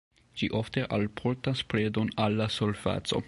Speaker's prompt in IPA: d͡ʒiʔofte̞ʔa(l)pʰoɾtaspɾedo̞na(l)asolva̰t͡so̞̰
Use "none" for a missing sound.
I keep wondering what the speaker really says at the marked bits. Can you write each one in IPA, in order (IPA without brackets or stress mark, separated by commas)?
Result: l, lː